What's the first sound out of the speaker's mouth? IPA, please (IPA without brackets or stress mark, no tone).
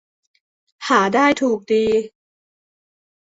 h